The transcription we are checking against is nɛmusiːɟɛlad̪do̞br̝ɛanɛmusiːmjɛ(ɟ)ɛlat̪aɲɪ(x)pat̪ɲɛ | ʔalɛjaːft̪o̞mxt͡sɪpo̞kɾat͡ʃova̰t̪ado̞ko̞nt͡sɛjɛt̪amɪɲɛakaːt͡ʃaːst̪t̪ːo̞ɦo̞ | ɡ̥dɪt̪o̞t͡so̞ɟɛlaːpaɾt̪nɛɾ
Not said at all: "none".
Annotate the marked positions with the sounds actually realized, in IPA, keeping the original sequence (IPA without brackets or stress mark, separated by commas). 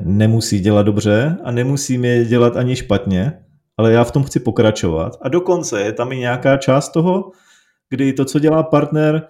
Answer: ɟ, ʃ